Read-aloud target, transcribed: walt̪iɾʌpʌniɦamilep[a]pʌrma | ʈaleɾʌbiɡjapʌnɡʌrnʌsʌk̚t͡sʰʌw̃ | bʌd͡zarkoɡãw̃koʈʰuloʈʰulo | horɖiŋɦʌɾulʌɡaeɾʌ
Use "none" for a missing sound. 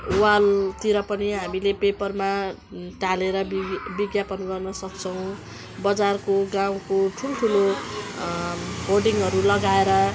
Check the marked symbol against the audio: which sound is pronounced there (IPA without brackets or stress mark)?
e